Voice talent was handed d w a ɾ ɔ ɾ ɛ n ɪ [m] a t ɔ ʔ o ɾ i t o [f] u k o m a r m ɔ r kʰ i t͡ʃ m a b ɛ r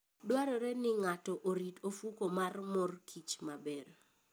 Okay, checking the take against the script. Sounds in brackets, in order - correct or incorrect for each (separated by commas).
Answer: incorrect, correct